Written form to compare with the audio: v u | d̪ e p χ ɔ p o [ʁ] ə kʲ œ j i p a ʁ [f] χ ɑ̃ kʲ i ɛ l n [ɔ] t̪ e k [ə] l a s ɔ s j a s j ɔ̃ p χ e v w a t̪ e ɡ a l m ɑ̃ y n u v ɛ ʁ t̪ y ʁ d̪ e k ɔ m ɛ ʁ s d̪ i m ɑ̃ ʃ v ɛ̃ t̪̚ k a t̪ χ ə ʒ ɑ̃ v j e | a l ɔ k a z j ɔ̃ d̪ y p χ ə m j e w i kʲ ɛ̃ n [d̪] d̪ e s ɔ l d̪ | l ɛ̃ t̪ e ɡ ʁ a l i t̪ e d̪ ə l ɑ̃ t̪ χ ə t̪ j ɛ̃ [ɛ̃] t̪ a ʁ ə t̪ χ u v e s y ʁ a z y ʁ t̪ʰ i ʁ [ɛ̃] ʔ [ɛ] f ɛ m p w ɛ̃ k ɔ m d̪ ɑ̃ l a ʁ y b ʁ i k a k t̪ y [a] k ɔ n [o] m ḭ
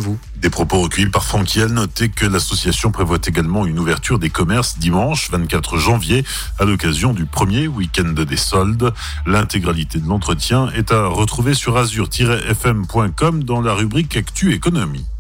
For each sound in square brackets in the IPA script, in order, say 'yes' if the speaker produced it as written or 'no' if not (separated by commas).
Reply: yes, yes, yes, yes, yes, no, no, yes, no, no